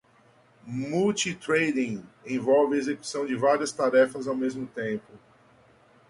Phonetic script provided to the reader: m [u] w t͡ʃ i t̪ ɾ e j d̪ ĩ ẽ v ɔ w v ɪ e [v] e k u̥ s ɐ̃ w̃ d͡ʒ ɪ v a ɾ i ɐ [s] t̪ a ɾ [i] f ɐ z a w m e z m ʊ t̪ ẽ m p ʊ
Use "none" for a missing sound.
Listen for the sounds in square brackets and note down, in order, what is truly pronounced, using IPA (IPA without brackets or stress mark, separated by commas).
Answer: u, z, s, ɛ